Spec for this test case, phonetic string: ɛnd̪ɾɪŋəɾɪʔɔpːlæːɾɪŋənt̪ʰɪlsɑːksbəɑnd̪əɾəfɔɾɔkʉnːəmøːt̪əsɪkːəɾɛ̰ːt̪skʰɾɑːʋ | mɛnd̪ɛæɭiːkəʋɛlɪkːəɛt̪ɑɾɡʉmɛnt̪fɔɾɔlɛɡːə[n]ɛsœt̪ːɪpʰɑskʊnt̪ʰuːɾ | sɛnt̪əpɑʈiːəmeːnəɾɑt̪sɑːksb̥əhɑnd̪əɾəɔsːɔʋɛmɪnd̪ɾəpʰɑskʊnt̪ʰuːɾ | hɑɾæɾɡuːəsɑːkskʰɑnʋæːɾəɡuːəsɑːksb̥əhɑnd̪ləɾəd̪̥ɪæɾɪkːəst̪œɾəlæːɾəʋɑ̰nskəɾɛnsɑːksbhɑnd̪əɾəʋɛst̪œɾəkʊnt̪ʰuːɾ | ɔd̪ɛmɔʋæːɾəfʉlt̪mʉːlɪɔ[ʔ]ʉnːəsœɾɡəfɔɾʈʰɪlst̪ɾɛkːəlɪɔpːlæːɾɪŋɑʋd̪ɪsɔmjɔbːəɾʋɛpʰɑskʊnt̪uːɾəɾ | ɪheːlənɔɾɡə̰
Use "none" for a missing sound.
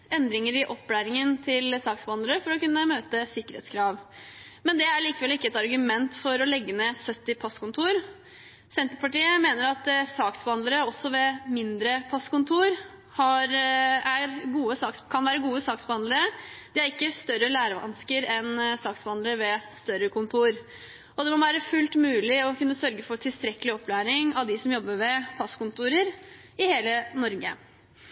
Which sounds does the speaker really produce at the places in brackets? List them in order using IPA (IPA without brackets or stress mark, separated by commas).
n, k